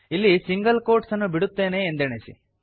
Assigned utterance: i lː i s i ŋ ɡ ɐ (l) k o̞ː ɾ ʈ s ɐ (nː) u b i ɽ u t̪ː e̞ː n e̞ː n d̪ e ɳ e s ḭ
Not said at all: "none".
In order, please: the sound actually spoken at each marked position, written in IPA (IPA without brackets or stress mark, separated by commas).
l, nː